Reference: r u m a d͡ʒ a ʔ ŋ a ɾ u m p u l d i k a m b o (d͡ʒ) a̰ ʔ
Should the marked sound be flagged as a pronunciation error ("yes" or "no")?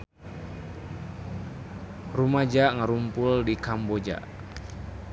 no